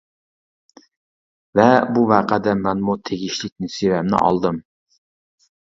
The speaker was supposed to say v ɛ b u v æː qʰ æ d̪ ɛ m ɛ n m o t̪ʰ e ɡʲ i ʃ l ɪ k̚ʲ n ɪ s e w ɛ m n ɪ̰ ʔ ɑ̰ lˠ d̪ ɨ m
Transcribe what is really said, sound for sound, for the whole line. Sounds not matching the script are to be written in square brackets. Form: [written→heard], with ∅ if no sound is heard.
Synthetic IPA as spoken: v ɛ b u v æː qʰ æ d̪ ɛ m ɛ n m [o→u] t̪ʰ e ɡʲ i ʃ l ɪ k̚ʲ n ɪ s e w ɛ m n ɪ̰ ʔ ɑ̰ lˠ d̪ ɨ m

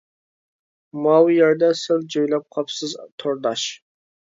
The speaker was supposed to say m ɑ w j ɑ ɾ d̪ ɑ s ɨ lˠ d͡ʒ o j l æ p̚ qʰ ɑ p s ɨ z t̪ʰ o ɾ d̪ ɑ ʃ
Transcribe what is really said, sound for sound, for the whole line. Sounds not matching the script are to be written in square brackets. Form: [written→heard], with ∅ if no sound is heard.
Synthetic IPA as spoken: m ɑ w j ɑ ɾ d̪ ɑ s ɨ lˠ d͡ʒ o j l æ p̚ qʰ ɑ p s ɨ z t̪ʰ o ɾ d̪ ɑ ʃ

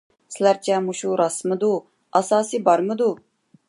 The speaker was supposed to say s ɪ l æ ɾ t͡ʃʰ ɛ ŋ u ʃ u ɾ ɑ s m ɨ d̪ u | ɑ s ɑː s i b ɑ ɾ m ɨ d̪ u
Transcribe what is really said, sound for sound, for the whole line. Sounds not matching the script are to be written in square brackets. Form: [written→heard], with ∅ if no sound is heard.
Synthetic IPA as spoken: s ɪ l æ ɾ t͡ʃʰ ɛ [ŋ→m] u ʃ u ɾ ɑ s m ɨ d̪ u | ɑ s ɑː s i b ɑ ɾ m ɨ d̪ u

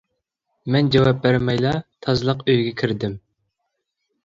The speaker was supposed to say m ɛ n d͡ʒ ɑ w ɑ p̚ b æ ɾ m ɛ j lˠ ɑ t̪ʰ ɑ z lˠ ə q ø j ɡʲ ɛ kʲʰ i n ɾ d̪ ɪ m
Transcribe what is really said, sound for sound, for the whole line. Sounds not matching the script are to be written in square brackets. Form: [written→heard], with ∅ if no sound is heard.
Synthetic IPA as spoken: m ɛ n d͡ʒ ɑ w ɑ p̚ b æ ɾ m ɛ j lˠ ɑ t̪ʰ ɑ z lˠ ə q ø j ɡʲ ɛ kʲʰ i [n→∅] ɾ d̪ ɪ m

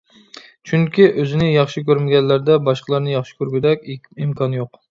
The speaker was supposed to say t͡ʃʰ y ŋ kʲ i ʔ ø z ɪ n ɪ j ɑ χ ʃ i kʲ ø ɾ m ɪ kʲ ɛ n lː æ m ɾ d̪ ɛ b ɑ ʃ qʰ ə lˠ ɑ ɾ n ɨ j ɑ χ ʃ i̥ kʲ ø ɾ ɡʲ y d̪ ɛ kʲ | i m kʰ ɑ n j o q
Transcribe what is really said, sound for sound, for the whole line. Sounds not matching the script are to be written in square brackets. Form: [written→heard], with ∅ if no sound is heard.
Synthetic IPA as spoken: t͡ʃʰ y ŋ kʲ i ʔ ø z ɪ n ɪ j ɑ χ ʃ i kʲ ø ɾ m ɪ [kʲ→ɡʲ] ɛ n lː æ [m→∅] ɾ d̪ ɛ b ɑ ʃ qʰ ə lˠ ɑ ɾ n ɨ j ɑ χ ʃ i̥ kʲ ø ɾ ɡʲ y d̪ ɛ kʲ | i m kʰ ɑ n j o q

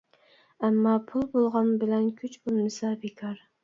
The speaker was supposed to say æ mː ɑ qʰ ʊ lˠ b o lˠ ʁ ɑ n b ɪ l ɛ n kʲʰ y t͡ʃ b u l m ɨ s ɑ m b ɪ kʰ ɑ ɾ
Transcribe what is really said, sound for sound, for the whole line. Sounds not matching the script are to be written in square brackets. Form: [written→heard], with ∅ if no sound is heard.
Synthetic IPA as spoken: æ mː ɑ [qʰ→pʰ] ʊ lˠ b o lˠ ʁ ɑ n b ɪ l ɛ n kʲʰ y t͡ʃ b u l m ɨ s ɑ [m→∅] b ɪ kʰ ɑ ɾ

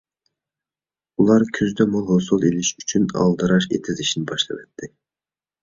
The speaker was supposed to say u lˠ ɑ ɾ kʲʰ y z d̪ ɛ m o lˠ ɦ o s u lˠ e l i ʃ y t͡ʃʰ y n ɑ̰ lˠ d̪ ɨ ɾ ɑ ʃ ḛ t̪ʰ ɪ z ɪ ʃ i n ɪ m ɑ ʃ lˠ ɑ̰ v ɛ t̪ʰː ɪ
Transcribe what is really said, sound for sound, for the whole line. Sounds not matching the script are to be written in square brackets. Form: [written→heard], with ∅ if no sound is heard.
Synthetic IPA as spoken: u lˠ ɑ ɾ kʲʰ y z d̪ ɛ m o lˠ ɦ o s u lˠ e l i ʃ y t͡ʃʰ y n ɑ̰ lˠ d̪ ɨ ɾ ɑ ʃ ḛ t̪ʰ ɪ z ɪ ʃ i n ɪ [m→b] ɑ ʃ lˠ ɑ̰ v ɛ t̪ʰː ɪ

